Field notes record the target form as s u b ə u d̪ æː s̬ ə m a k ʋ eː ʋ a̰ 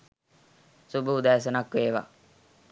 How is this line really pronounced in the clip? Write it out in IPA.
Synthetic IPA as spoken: s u b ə u d̪ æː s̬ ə n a k ʋ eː ʋ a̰